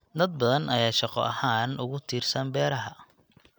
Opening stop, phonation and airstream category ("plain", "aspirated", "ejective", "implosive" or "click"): plain